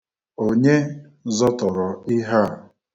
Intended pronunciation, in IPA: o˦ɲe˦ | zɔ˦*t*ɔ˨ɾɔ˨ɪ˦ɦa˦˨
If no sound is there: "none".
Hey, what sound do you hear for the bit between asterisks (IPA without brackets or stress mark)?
t